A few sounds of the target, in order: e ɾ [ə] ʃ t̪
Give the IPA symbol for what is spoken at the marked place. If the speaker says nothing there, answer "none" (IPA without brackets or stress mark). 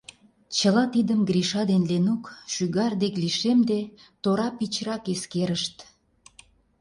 ə